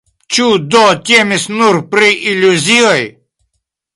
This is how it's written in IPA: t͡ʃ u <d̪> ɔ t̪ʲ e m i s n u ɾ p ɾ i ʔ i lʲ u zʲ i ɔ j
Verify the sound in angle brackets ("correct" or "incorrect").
correct